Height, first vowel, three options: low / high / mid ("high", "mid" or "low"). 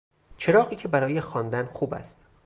mid